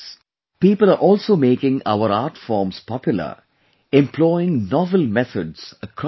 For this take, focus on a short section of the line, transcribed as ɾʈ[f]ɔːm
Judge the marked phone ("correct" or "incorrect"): correct